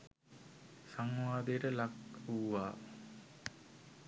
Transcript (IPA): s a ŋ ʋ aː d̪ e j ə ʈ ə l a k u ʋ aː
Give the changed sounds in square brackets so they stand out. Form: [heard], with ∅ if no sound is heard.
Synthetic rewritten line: s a ŋ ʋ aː d̪ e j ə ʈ ə l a k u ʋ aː

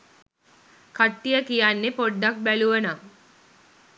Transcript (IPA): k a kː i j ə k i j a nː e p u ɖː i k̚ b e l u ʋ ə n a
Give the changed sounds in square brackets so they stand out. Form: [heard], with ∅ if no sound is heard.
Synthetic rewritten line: k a [ʈː] i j ə k i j a nː e p [o] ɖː [a] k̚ b [æ] l u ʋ ə n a

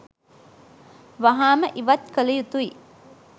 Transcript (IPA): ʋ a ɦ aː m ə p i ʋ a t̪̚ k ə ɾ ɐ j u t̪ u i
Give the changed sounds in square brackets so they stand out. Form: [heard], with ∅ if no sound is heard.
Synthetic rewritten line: ʋ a ɦ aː m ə [ʔ] i ʋ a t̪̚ k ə [l] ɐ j u t̪ u i

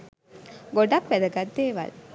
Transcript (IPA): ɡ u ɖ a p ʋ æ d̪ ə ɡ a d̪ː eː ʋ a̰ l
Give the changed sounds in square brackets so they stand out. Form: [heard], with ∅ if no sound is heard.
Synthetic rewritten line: ɡ [o] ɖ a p ʋ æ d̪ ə ɡ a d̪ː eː ʋ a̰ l

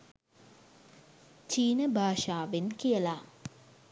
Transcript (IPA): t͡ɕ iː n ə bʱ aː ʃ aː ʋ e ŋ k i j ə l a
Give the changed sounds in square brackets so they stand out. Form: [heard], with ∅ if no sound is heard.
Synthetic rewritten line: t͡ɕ iː n ə bʱ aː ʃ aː ʋ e [n] k i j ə l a

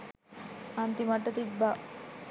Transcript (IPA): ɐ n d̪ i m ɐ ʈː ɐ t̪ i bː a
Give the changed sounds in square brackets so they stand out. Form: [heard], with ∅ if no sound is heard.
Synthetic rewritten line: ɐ n [t̪] i m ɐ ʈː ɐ t̪ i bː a

